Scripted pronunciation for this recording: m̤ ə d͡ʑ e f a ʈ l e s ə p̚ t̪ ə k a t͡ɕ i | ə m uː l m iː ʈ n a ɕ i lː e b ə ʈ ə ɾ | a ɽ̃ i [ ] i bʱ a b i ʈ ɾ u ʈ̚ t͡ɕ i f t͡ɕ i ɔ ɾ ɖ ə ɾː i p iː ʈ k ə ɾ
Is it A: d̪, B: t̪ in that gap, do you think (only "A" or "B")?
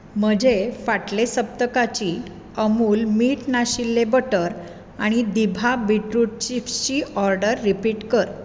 A